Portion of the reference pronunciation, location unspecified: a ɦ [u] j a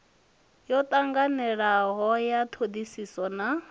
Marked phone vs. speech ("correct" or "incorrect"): incorrect